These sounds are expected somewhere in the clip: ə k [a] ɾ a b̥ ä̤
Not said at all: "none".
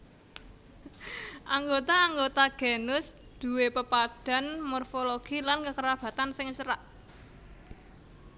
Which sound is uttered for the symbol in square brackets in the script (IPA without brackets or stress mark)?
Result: ə